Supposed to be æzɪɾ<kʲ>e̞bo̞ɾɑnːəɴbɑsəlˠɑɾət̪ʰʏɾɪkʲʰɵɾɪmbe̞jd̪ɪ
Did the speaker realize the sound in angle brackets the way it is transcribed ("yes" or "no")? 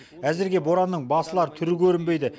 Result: no